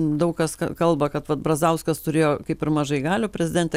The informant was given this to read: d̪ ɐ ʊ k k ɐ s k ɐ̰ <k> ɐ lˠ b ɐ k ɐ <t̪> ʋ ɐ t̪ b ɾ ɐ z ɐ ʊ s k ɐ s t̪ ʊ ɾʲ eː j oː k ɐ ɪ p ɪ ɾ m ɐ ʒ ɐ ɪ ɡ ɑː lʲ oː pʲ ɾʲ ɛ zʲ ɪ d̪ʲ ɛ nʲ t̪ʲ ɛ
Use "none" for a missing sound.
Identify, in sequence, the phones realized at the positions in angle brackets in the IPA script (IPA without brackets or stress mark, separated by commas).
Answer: k, t̪